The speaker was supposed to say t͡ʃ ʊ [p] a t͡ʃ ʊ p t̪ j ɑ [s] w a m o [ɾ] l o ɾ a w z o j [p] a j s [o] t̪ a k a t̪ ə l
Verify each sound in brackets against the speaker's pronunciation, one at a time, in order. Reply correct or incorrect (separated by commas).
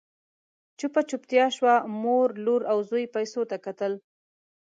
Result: correct, incorrect, correct, correct, correct